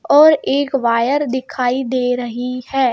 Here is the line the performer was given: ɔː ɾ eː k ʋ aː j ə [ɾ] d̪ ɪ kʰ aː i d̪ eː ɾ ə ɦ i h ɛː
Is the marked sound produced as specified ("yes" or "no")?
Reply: yes